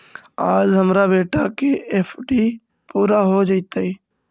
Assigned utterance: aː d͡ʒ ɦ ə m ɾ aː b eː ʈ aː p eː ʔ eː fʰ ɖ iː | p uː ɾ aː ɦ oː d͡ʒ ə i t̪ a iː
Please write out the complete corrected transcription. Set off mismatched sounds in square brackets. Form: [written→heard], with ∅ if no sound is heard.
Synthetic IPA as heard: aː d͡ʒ ɦ ə m ɾ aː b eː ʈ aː [p→k] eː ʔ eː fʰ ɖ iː | p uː ɾ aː ɦ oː d͡ʒ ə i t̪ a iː